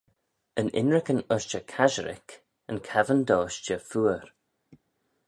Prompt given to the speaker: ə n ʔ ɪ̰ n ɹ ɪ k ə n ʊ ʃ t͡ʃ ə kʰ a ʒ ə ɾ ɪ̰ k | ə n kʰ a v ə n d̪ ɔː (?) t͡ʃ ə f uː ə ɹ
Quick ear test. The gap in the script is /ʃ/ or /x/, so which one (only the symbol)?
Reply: ʃ